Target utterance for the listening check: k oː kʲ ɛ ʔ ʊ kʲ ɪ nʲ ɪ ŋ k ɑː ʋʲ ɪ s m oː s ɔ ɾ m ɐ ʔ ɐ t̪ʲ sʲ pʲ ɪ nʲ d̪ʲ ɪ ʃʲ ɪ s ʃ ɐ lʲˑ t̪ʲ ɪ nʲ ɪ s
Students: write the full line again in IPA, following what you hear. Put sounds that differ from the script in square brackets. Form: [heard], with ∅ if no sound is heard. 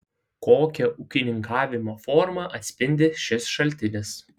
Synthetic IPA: k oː kʲ ɛ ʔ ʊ kʲ ɪ nʲ ɪ ŋ k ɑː ʋʲ ɪ [∅] m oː [f] ɔ ɾ m ɐ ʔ ɐ t̪ʲ sʲ pʲ ɪ nʲ d̪ʲ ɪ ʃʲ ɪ s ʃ ɐ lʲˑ t̪ʲ ɪ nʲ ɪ s